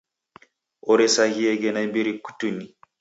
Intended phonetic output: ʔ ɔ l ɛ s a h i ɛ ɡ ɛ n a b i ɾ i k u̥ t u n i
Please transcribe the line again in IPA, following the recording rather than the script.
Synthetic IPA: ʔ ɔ ɾ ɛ s a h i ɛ ɡ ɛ n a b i ɾ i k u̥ t u n i